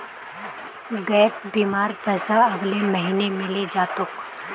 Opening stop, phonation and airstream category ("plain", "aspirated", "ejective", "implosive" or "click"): plain